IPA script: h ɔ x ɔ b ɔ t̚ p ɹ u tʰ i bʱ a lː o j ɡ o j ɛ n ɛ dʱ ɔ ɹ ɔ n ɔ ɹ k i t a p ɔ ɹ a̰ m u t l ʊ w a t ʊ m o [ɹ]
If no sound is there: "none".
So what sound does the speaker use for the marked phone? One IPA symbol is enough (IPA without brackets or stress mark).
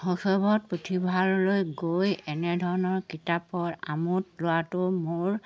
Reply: ɹ